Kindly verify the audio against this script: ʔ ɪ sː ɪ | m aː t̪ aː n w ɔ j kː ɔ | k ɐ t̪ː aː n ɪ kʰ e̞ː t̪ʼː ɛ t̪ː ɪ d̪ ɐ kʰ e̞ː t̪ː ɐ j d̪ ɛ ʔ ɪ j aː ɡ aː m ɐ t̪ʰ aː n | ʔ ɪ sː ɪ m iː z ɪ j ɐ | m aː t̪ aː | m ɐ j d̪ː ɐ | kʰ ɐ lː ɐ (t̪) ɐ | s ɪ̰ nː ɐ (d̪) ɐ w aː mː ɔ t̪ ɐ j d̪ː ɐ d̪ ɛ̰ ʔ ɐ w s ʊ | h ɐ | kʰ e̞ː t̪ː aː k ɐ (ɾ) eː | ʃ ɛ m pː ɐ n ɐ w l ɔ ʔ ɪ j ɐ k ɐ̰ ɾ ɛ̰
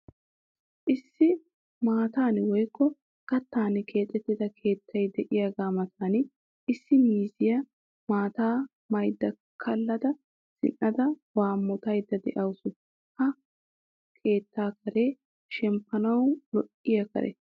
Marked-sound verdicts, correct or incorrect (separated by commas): incorrect, correct, correct